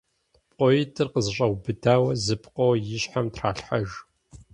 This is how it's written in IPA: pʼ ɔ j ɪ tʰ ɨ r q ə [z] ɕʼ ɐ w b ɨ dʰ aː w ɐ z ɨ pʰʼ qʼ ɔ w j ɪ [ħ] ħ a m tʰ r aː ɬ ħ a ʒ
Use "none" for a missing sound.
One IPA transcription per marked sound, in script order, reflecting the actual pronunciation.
z, ɕ

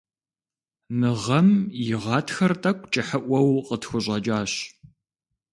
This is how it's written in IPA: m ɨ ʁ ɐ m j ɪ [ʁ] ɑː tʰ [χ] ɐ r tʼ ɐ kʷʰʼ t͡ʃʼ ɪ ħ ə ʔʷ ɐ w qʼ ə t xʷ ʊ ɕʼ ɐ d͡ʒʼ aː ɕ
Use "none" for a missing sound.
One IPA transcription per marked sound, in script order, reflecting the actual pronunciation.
ʁ, x

